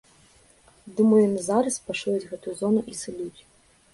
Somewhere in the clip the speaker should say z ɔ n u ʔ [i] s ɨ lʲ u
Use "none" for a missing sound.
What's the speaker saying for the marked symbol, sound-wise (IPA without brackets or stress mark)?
i